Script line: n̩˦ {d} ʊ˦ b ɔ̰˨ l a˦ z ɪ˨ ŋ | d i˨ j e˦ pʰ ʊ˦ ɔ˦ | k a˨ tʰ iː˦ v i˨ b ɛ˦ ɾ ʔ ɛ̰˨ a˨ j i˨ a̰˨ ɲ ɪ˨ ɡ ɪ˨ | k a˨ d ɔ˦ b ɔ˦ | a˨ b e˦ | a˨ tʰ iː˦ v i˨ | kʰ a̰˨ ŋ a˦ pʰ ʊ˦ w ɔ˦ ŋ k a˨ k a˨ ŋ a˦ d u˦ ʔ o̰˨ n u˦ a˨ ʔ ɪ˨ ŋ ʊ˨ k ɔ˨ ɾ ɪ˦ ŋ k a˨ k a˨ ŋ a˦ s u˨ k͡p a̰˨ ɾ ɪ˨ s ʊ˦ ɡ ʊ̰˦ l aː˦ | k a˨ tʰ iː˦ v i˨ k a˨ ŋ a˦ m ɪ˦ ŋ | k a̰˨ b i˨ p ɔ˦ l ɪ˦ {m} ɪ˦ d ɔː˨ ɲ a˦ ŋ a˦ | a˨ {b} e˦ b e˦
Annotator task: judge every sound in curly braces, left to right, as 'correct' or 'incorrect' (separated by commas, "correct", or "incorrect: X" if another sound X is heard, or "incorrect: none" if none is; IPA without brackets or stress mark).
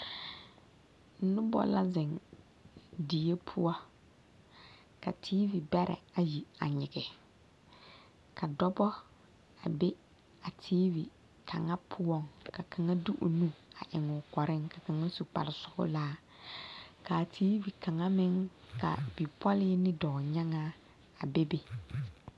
incorrect: n, incorrect: n, correct